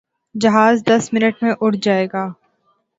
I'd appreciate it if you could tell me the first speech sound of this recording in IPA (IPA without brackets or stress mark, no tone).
d͡ʒ